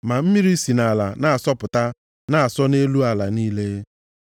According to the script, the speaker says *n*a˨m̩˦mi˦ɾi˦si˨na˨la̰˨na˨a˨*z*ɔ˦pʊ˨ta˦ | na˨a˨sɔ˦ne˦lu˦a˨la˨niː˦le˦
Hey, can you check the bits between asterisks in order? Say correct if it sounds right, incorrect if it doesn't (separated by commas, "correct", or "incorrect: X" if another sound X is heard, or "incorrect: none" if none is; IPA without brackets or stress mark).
incorrect: m, incorrect: s